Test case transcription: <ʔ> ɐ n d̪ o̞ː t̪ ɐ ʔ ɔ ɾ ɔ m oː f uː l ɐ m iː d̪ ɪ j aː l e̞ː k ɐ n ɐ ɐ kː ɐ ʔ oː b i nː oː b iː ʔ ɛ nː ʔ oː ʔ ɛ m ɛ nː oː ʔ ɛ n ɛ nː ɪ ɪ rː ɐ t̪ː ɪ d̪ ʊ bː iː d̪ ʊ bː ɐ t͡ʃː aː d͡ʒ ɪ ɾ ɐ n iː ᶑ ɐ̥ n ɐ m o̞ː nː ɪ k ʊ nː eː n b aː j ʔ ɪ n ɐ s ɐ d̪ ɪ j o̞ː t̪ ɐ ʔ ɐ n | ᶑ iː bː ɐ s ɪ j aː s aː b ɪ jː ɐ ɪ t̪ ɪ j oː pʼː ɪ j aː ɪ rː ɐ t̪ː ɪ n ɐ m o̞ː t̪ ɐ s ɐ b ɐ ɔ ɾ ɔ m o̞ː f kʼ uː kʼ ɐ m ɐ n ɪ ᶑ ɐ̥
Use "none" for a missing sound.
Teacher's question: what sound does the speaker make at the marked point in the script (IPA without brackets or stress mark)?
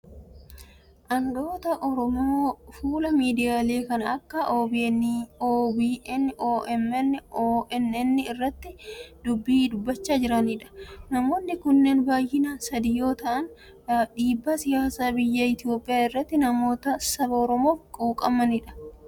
ʔ